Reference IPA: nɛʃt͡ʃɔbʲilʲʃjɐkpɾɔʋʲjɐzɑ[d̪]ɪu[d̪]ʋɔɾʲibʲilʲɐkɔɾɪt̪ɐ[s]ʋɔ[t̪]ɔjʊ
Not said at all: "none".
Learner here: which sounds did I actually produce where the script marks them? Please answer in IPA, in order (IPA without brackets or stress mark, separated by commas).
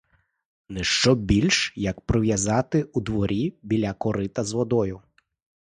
t̪, d̪, z, d̪